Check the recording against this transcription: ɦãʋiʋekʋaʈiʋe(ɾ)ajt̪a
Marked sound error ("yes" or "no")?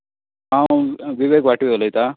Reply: yes